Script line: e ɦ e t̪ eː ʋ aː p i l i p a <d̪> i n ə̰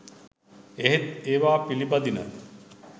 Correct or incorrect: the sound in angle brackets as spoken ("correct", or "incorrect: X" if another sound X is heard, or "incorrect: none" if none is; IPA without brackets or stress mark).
correct